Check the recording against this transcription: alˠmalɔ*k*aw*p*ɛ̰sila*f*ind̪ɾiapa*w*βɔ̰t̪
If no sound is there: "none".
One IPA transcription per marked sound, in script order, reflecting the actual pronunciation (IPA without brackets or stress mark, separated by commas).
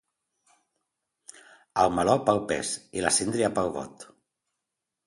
p, p, s, w